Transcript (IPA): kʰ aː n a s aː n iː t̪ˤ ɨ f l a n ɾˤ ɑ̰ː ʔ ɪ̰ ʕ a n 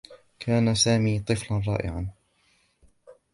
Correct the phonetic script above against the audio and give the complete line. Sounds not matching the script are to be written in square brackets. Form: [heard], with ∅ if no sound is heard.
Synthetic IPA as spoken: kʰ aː n a s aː [m] iː t̪ˤ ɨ f l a n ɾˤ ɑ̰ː ʔ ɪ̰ ʕ a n